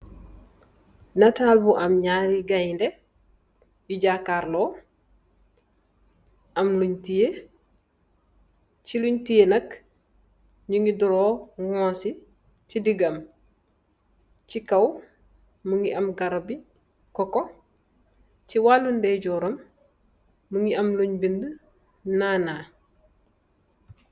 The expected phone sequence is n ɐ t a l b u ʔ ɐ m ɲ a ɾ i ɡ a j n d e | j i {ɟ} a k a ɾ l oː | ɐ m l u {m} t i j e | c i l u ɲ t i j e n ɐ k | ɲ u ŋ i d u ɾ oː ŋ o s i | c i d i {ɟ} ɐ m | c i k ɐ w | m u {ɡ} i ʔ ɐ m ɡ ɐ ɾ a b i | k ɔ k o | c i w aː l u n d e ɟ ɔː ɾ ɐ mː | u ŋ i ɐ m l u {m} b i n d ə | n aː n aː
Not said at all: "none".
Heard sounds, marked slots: ɟ, ɲ, ɡ, ŋ, ɲ

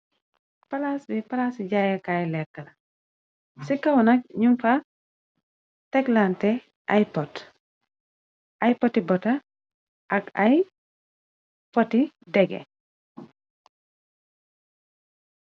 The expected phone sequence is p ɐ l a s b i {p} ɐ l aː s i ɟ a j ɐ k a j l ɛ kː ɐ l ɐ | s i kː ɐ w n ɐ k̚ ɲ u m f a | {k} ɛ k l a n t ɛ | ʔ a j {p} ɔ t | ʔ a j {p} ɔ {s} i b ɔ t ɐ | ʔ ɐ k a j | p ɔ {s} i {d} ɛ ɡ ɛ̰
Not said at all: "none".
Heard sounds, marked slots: p, t, p, p, t, t, d

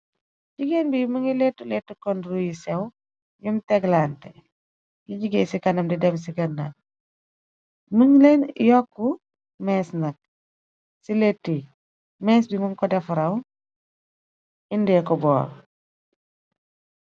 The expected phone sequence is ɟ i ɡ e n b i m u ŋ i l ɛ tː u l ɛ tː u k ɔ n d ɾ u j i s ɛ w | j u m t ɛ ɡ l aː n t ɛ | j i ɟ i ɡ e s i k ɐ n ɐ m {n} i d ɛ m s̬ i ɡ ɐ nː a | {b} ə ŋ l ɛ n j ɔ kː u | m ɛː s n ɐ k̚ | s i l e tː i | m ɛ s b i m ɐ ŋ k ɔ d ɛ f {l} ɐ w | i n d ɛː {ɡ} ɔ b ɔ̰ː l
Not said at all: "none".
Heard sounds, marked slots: d, m, ɾ, k

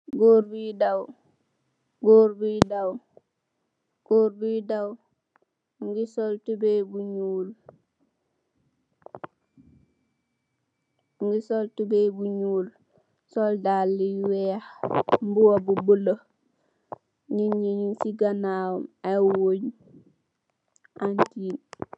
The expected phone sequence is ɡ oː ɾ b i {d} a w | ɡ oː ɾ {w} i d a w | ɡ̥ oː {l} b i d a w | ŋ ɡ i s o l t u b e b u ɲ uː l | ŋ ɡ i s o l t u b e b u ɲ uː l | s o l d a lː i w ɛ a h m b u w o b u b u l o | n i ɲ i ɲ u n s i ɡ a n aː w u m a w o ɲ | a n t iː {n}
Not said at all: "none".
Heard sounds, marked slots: d, b, ɾ, n

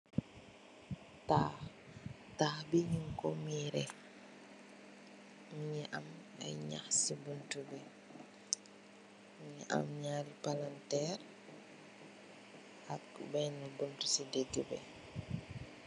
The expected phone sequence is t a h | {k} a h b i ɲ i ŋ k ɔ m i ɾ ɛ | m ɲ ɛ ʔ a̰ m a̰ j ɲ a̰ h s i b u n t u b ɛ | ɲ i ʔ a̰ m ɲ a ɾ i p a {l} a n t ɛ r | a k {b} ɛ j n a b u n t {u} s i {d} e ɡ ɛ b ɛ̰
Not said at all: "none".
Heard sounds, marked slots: t, l, b, u, d

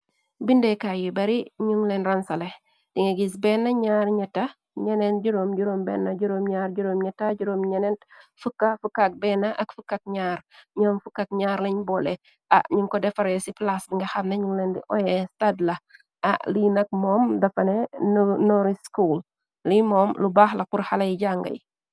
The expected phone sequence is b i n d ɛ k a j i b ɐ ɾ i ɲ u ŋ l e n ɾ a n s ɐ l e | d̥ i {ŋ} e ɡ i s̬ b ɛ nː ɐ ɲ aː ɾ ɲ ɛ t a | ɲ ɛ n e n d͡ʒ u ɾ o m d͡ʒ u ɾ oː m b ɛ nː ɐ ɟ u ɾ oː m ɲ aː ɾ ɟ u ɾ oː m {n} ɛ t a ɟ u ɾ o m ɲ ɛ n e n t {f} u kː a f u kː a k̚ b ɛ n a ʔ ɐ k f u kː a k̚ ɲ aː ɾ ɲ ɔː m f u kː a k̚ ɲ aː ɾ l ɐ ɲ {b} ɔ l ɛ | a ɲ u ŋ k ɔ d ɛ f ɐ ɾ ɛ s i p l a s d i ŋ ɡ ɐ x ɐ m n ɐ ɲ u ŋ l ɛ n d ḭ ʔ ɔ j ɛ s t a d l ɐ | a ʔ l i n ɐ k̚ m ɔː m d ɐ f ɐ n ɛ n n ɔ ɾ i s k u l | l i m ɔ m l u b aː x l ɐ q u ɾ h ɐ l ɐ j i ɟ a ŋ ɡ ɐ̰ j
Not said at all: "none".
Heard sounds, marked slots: ŋ, ɲ, f, b

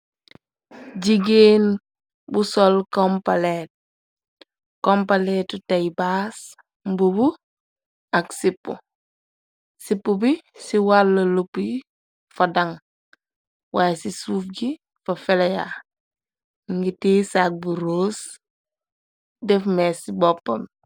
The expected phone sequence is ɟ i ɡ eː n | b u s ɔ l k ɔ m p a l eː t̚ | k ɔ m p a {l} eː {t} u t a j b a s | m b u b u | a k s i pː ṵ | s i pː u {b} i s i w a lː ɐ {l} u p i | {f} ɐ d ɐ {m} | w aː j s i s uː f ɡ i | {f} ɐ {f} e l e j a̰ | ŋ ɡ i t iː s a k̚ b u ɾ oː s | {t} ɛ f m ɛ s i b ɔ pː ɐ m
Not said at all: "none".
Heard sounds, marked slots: l, t, b, l, f, ŋ, f, f, d

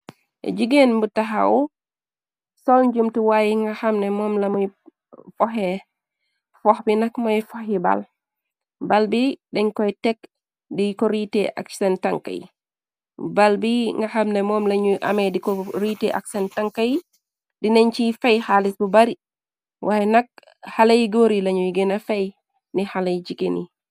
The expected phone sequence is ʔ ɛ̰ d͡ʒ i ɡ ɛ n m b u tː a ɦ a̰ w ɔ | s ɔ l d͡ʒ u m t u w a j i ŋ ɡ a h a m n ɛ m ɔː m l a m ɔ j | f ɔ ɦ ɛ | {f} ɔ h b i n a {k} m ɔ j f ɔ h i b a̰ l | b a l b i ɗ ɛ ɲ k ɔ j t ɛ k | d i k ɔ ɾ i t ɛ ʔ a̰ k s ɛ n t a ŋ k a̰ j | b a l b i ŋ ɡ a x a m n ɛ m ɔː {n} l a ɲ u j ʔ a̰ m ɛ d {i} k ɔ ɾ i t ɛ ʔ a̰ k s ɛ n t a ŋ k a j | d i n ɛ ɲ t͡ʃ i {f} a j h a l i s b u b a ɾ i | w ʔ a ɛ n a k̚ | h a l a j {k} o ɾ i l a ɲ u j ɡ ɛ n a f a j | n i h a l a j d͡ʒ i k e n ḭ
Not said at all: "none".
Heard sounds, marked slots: f, k, m, i, f, ɡ

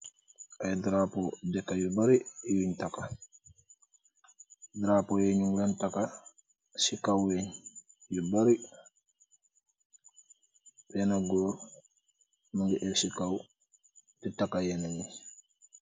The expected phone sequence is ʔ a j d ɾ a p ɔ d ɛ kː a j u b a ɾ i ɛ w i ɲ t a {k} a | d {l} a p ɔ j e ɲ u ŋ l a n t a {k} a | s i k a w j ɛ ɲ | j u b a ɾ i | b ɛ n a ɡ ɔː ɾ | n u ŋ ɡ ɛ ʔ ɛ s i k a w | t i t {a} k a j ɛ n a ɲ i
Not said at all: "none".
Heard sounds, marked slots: k, ɾ, k, a

